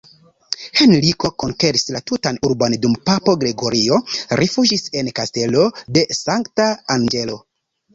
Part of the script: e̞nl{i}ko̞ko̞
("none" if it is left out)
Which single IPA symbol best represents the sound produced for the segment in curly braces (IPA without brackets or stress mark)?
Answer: i